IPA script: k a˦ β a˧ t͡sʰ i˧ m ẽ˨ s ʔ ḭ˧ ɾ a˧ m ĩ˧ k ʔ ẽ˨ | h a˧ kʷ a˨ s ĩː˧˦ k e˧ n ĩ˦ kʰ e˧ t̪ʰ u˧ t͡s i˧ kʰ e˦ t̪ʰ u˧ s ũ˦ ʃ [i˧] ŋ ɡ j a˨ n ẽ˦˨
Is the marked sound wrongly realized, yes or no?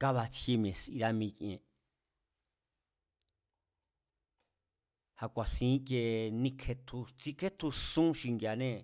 no